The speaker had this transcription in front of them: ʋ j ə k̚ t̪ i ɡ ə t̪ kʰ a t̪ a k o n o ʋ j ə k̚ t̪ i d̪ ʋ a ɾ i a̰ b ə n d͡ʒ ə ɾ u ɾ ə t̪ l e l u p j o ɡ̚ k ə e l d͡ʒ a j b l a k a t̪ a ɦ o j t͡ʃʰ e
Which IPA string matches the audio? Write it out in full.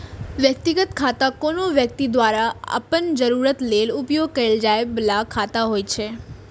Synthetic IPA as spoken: ʋ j ə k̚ t̪ i ɡ ə t̪ kʰ a t̪ a k o n o ʋ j ə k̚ t̪ i d̪ ʋ a ɾ a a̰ p ə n d͡ʒ ə ɾ u ɾ ə t̪ l e l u p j o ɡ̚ k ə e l d͡ʒ a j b l a kʰ a t̪ a ɦ o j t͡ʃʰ e